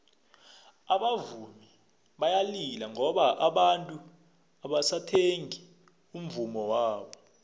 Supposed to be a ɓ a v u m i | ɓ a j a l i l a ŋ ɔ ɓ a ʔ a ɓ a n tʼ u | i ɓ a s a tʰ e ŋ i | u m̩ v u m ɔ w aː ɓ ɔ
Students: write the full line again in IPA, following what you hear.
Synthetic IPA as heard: a ɓ a v u m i | ɓ a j a l i l a ŋ ɔ ɓ a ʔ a ɓ a n tʼ u | a ɓ a s a tʰ e ŋ i | u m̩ v u m ɔ w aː ɓ ɔ

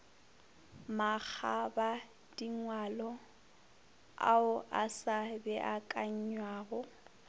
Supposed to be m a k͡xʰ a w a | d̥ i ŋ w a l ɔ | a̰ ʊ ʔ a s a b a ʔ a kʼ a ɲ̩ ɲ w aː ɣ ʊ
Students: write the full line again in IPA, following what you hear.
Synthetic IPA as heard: m a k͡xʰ a b a | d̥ i ŋ w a l ɔ | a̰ ʊ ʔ a s a b ɛ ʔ a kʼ a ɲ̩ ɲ w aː ɣ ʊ

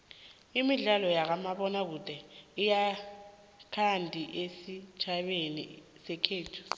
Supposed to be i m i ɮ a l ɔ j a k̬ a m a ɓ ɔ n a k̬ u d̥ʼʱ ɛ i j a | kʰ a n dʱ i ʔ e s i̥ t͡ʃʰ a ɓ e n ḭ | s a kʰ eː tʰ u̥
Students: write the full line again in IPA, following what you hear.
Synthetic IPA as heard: i m i ɮ a l ɔ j a k̬ a m a ɓ ɔ n a k̬ u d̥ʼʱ ɛ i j a | kʰ a n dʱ i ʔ e s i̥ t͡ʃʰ a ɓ e n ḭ | s ɛ kʰ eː tʰ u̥

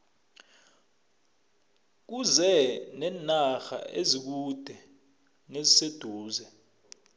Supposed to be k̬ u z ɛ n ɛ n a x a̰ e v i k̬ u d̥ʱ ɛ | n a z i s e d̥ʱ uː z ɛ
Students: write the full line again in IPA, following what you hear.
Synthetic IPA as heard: k̬ u z ɛ n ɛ n a x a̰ e z i k̬ u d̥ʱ ɛ | n e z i s e d̥ʱ uː z ɛ

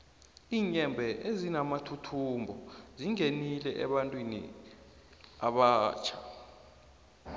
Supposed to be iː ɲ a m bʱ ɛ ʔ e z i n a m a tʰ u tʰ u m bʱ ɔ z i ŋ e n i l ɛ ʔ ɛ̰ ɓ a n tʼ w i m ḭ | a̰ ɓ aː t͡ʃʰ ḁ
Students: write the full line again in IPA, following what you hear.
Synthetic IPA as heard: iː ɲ ɛ m bʱ ɛ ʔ e z i n a m a tʰ u tʰ u m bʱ ɔ z i ŋ e n i l ɛ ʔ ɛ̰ ɓ a n tʼ w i n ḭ | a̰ ɓ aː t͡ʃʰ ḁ

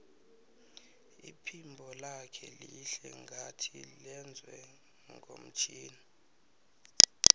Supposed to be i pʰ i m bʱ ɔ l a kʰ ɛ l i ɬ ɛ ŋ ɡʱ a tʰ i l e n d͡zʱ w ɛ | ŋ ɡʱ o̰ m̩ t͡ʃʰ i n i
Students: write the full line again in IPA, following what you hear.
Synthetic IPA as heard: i pʰ i m bʱ ɔ l a kʰ ɛ l i ɬ ɛ ŋ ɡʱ a tʰ i l ɛ n d͡zʱ w ɛ | ŋ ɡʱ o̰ m̩ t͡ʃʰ iː n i

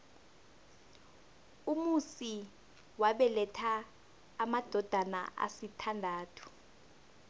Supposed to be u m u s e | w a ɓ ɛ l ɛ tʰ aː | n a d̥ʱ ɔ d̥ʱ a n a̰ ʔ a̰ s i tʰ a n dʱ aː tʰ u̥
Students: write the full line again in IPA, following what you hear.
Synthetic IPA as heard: u m u s i | w a ɓ ɛ l ɛ tʰ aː | m a d̥ʱ ɔ d̥ʱ a n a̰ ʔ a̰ s i tʰ a n dʱ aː tʰ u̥

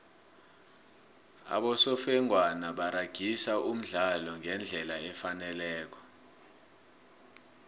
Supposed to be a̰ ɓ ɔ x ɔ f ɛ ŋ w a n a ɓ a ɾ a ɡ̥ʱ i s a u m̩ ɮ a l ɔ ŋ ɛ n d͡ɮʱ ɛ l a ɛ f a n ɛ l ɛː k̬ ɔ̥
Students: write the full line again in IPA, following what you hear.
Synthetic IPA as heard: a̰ ɓ ɔ s ɔ f ɛ ŋ w a n a ɓ a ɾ a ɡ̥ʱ i s a u m̩ ɮ a l ɔ ŋ ɛ n d͡ɮʱ ɛ l a ɛ f a n ɛ l ɛː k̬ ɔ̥

